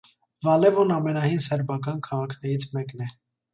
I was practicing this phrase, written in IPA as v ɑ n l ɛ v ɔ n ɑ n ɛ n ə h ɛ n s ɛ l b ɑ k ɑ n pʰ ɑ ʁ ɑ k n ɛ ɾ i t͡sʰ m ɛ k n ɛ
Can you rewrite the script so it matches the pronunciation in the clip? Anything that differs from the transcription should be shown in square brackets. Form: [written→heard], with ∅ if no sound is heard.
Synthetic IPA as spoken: v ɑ [n→∅] l ɛ v ɔ n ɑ [n→m] ɛ n [ə→ɑ] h [ɛ→i] n s ɛ [l→ɾ] b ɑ k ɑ n [pʰ→kʰ] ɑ ʁ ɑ [k→kʰ] n ɛ ɾ i t͡sʰ m ɛ k n ɛ